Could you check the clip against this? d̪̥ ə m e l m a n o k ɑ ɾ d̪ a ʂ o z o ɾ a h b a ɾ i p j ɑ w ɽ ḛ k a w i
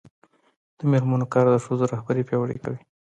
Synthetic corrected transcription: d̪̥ ə m e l m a n o k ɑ ɾ d̪ ə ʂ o z o ɾ a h b a ɾ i p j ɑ w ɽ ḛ k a w i